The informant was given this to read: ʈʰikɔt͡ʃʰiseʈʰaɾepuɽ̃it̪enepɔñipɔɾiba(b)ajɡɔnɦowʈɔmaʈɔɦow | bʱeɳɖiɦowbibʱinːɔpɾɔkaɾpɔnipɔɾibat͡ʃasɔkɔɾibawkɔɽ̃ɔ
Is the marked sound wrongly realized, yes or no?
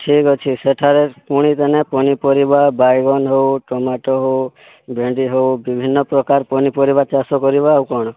no